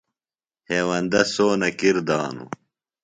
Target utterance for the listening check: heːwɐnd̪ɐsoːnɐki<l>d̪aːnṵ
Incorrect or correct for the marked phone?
incorrect: ɾ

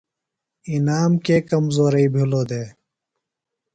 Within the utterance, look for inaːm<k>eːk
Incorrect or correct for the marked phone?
correct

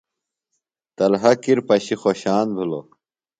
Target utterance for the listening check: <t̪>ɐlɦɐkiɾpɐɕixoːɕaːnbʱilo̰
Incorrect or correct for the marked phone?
correct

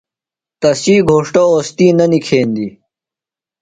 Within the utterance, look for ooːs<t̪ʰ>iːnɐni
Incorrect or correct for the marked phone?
incorrect: t̪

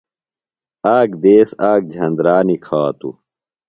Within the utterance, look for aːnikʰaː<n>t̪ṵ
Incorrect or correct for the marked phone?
incorrect: none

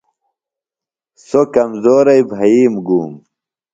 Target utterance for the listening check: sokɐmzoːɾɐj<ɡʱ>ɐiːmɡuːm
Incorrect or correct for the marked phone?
incorrect: bʱ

